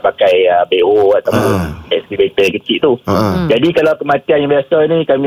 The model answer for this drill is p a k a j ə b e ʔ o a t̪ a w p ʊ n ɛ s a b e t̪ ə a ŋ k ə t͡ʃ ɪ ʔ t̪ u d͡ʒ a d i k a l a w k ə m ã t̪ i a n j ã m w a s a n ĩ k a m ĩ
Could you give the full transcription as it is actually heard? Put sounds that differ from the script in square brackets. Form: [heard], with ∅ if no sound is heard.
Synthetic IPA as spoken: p a k a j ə b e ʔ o a t̪ a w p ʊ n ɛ s [i] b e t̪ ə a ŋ k ə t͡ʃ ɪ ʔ t̪ u d͡ʒ a d i k a l a w k ə m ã t̪ i a n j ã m [b] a s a n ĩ k a m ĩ